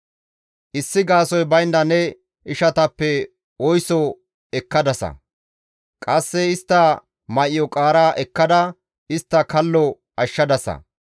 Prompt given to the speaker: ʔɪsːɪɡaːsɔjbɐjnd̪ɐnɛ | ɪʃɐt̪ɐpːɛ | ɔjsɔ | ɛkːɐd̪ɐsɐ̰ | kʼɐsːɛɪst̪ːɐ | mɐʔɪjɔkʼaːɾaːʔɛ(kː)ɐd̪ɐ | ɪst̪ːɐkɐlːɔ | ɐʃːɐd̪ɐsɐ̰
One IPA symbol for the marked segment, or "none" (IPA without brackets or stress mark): kː